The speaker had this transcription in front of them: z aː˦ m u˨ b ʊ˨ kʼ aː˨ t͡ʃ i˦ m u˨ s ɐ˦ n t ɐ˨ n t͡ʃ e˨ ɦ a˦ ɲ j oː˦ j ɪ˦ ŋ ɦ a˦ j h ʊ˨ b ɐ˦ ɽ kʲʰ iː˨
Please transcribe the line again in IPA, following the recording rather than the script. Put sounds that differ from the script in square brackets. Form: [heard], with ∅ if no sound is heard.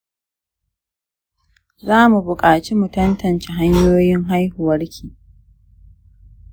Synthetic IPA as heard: z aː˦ m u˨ b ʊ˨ kʼ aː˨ t͡ʃ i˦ m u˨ [t] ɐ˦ n t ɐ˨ n t͡ʃ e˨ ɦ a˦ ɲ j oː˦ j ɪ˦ ŋ ɦ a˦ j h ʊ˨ [w] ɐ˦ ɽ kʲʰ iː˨

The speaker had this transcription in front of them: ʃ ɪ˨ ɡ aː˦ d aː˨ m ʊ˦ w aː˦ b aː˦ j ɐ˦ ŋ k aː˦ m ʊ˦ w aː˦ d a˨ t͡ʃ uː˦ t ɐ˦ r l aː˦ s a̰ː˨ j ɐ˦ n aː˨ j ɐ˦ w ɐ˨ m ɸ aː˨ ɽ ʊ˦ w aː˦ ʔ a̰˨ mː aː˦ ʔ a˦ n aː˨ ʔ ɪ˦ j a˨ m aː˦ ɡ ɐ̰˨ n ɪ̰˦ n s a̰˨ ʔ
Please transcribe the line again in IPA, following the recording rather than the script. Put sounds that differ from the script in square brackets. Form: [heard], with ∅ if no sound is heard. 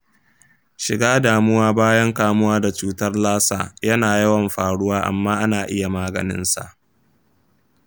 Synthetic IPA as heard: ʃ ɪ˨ ɡ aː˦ d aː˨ m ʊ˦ w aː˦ b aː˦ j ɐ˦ ŋ k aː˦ m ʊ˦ w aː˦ d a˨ t͡ʃ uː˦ t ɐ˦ r l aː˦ s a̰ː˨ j ɐ˦ n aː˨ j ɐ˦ w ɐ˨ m ɸ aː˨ ɽ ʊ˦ w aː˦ ʔ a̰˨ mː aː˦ ʔ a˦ n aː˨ ʔ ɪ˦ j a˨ m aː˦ ɡ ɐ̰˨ n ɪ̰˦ n s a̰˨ ʔ

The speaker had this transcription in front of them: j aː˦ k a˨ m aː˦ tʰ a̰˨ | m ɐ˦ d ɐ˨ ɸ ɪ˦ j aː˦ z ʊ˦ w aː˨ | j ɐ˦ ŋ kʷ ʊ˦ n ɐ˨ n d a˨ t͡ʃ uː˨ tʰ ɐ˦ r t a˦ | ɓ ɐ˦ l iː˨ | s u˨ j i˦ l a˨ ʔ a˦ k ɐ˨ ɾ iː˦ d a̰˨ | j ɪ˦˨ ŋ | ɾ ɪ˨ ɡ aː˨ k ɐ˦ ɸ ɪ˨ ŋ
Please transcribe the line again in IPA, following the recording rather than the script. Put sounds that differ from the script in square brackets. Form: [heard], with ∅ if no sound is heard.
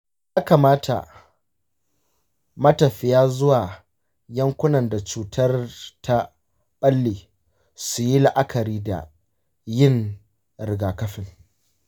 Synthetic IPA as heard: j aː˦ k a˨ m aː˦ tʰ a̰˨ | m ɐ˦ [t] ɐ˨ ɸ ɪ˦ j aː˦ z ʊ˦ w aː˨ | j ɐ˦ ŋ kʷ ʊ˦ n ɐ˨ n d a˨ t͡ʃ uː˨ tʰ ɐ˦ r t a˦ | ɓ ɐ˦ [lː] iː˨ | s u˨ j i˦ l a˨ ʔ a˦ k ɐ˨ ɾ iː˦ d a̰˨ | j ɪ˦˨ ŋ | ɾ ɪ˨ ɡ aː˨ k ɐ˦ ɸ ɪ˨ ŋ

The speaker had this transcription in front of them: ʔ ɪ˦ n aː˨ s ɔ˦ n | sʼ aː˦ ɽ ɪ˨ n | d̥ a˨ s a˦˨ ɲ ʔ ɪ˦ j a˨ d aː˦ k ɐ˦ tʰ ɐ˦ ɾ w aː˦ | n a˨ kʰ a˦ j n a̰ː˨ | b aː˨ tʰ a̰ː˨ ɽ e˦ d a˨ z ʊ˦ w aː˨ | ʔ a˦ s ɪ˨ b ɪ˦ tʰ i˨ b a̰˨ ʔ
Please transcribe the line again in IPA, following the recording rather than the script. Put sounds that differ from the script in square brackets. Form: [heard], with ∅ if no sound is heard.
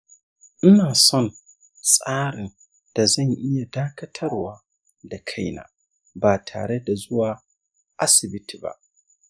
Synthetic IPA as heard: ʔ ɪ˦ n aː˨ s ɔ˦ n | sʼ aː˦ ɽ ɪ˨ n | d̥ a˨ [z] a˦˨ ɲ ʔ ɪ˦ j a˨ d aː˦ k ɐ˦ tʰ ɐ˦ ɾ w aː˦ | [d] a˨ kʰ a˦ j n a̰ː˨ | b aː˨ tʰ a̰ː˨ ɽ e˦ d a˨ z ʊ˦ w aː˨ | ʔ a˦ s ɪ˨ b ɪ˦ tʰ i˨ b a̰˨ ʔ

